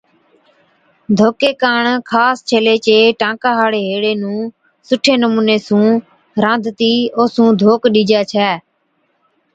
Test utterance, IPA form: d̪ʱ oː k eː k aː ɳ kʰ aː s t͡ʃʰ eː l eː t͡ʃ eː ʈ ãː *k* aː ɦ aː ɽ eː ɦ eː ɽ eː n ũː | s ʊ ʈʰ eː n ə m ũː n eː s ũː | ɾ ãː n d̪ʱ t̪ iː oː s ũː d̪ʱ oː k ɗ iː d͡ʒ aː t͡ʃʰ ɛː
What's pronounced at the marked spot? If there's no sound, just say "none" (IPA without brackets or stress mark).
k